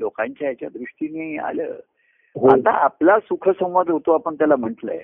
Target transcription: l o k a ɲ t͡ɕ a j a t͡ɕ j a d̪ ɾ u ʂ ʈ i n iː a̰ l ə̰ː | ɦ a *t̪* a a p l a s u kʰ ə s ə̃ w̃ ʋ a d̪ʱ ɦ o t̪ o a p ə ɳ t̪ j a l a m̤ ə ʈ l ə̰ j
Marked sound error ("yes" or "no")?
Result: no